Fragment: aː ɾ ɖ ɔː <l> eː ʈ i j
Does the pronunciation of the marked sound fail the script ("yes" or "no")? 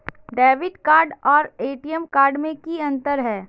yes